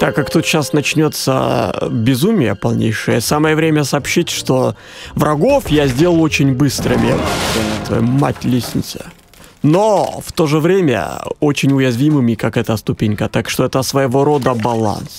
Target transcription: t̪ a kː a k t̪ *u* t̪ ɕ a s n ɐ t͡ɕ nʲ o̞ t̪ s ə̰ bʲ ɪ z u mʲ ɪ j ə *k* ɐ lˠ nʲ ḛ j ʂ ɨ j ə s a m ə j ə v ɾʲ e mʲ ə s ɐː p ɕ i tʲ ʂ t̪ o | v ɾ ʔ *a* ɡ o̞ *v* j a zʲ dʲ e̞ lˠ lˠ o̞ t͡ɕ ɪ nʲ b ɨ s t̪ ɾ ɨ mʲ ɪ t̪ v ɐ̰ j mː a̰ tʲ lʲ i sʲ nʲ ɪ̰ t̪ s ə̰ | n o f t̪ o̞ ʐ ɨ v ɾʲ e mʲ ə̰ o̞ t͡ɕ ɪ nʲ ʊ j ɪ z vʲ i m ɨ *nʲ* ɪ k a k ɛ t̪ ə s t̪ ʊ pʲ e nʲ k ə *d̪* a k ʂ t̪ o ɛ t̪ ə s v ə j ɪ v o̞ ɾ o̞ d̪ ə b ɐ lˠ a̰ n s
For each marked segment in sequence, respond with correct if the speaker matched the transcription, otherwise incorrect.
correct, incorrect: p, incorrect: ɐ, incorrect: f, incorrect: mʲ, incorrect: t̪

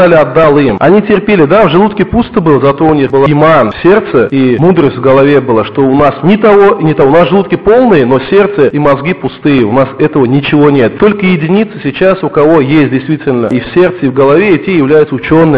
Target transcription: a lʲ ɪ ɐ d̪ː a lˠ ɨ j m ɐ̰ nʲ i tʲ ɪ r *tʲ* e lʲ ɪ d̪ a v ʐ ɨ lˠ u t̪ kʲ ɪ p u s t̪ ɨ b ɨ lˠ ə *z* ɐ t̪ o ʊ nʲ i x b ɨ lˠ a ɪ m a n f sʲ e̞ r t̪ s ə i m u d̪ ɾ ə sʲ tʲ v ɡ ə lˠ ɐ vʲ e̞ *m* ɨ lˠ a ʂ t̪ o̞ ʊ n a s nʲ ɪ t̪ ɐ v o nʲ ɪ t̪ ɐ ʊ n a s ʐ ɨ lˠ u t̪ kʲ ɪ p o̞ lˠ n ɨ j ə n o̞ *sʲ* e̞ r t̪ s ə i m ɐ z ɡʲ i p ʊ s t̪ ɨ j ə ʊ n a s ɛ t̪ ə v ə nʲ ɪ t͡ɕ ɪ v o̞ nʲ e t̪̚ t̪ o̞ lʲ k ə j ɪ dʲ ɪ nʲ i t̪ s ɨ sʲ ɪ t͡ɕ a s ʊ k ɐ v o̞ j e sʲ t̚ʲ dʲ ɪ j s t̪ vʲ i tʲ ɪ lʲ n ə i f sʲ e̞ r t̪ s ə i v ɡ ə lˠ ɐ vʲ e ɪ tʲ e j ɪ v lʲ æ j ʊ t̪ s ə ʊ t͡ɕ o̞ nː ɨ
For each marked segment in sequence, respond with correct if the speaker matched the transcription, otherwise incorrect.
incorrect: pʲ, correct, incorrect: b, correct

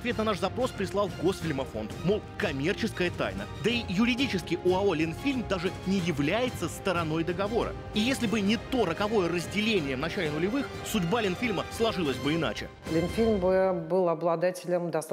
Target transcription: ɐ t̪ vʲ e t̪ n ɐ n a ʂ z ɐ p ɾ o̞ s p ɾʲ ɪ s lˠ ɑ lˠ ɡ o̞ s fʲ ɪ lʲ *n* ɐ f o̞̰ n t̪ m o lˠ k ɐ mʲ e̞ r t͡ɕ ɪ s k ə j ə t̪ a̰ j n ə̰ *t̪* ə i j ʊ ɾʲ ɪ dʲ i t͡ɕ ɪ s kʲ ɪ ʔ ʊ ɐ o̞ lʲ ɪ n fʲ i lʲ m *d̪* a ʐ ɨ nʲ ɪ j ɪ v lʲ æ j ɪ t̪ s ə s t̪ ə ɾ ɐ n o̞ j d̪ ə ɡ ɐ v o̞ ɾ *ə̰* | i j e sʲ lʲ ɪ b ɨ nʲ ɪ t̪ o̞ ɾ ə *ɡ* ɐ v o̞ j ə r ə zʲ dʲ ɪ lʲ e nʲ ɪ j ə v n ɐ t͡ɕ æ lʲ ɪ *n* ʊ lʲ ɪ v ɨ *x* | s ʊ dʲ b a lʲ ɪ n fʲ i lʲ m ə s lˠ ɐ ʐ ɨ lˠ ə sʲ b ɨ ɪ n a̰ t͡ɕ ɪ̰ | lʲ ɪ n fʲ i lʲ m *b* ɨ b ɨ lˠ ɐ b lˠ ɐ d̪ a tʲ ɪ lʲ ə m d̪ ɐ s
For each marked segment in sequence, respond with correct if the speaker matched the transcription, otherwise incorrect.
incorrect: m, incorrect: d̪, correct, correct, incorrect: k, correct, correct, correct

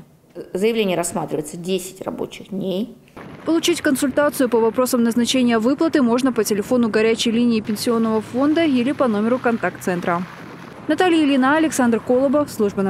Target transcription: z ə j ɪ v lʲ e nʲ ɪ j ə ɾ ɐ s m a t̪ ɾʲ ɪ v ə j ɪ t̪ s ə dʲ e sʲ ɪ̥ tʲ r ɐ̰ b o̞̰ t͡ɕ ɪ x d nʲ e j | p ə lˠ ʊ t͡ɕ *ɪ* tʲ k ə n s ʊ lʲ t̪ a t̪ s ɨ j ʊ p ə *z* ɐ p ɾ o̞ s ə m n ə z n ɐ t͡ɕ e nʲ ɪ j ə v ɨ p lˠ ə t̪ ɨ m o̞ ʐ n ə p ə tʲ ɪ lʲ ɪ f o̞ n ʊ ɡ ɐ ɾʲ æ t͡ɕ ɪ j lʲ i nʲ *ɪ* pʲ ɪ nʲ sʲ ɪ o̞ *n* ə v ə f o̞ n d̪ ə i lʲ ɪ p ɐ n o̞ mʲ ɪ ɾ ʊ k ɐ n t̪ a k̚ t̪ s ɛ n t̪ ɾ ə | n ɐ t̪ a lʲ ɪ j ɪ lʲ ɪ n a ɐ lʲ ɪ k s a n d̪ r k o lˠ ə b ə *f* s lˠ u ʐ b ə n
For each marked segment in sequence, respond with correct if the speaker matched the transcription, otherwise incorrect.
incorrect: i, incorrect: v, incorrect: ɪː, incorrect: nː, correct

